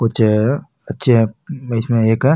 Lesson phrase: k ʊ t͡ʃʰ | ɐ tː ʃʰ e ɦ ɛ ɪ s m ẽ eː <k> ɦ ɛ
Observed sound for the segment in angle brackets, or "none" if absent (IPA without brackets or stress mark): k